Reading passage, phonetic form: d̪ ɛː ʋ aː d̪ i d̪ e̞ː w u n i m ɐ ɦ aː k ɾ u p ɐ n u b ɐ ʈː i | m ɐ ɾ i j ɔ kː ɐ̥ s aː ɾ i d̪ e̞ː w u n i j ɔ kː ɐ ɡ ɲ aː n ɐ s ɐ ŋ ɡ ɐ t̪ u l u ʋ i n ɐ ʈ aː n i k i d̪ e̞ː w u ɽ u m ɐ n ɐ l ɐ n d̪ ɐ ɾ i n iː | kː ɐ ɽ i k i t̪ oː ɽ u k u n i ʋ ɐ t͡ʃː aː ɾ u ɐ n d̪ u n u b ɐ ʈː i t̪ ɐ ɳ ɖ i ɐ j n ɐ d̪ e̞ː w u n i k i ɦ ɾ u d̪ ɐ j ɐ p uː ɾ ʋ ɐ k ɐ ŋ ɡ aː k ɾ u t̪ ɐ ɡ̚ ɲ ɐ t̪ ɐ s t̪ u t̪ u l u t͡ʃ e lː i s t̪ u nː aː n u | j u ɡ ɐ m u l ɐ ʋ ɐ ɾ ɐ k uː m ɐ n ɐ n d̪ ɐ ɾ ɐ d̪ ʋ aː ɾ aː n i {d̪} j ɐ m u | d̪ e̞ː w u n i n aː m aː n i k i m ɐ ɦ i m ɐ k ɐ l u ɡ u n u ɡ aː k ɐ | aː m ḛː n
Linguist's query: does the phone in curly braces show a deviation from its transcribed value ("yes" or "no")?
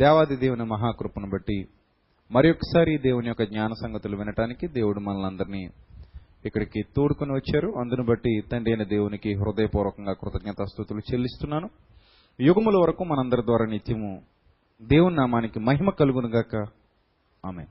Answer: yes